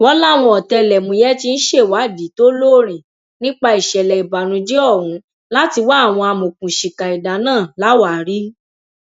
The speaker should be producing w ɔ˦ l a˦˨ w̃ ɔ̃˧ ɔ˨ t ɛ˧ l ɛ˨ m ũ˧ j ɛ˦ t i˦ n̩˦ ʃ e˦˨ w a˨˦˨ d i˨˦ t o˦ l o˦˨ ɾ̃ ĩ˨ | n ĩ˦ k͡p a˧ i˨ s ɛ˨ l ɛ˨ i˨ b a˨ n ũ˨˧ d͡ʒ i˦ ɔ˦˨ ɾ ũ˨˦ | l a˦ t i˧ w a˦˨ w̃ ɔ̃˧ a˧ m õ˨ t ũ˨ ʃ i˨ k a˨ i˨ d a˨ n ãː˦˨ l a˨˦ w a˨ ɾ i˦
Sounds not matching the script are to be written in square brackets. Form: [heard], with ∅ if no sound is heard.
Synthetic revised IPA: w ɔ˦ l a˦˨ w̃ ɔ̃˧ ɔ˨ t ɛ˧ l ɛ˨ m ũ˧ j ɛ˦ t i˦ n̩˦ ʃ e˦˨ w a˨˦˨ d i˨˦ t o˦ l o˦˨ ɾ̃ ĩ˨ | n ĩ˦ k͡p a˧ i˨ [ʃ] ɛ˨ l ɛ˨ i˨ b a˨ n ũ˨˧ d͡ʒ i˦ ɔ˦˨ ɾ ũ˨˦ | l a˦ t i˧ w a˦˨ w̃ ɔ̃˧ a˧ m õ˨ [k] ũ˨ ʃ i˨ k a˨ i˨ d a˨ n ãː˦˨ l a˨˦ w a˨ ɾ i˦

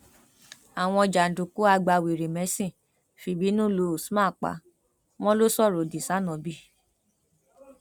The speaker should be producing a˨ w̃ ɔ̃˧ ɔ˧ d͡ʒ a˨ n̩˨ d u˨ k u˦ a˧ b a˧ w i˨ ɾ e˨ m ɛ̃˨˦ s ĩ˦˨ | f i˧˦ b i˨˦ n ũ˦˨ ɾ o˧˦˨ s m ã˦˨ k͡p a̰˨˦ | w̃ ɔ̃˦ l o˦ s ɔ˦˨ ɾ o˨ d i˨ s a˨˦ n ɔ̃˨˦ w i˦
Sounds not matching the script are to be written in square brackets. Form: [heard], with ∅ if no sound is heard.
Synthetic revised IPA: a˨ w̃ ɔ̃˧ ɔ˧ d͡ʒ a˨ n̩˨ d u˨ k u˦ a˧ [ɡ͡b] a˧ w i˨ ɾ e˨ m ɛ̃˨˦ s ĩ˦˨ | f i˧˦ b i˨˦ n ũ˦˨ [l] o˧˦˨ s m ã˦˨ k͡p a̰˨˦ | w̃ ɔ̃˦ l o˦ s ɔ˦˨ ɾ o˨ d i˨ s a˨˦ n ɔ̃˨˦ [b] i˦

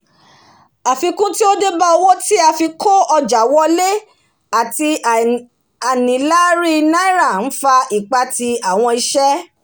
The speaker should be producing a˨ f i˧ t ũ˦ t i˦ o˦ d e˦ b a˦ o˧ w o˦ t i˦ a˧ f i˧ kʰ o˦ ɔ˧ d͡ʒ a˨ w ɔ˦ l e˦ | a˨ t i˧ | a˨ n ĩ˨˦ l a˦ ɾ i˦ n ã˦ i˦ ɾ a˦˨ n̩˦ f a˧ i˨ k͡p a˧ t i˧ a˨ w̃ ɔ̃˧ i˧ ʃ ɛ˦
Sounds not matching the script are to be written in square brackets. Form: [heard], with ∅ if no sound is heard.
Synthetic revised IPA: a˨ f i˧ [k] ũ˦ t i˦ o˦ d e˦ b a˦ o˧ w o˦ t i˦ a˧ f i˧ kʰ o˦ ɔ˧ d͡ʒ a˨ w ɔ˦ l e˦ | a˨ t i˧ | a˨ n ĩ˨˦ l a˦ ɾ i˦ n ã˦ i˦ ɾ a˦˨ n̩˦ f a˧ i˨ k͡p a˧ t i˧ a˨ w̃ ɔ̃˧ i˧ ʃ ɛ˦

